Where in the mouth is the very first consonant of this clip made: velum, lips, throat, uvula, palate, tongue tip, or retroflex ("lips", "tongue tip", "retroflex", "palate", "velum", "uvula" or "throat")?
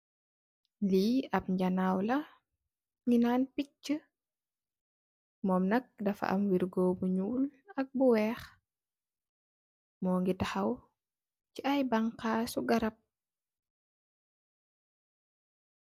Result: tongue tip